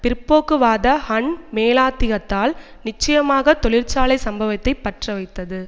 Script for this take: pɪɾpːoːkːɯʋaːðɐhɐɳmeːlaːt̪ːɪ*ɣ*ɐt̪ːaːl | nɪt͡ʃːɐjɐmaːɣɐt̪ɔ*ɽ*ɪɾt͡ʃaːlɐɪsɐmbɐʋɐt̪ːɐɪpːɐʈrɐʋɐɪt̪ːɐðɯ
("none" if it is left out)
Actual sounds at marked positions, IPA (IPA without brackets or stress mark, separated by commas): ɣ, ɭ